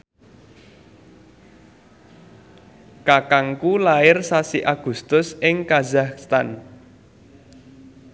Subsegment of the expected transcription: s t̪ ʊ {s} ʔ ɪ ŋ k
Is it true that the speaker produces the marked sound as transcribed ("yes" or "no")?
yes